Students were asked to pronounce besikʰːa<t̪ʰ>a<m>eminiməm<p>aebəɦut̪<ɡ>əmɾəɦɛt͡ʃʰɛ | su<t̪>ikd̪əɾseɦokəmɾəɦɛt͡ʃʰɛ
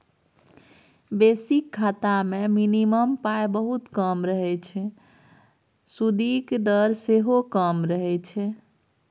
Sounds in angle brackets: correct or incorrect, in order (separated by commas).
incorrect, correct, correct, incorrect, incorrect